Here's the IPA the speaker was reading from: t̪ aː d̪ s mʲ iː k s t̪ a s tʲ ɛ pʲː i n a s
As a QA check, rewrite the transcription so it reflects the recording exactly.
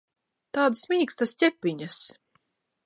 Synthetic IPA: t̪ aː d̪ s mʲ iː k s t̪ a s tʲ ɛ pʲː i ɲ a s